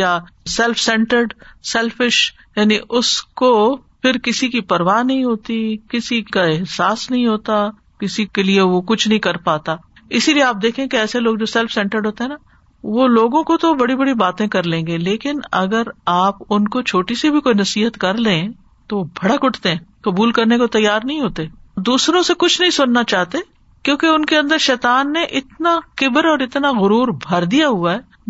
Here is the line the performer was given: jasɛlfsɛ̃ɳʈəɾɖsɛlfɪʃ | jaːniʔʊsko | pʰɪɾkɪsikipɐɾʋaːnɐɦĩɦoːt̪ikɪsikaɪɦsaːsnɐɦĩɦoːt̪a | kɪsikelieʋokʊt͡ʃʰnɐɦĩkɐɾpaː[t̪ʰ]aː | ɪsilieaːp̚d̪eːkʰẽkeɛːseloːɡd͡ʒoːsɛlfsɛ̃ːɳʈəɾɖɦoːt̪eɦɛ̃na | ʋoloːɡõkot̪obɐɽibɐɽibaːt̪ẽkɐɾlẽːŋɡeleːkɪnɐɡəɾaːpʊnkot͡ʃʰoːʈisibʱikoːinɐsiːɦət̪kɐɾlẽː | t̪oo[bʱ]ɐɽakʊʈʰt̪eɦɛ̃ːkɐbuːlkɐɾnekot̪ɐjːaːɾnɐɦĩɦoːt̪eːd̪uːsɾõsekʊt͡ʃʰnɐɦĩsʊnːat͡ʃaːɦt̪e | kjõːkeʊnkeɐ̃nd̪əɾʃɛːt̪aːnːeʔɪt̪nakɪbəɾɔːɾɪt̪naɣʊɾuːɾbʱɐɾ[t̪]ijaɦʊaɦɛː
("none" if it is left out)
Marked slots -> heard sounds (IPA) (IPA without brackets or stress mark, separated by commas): t̪, bʱ, d̪